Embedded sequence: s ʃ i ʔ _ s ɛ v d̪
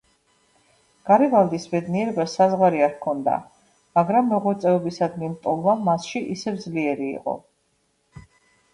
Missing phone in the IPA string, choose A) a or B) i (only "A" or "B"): B